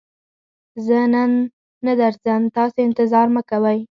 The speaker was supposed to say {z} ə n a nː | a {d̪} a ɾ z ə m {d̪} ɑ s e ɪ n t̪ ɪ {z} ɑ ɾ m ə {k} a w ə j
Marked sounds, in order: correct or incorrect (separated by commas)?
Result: correct, correct, incorrect, correct, correct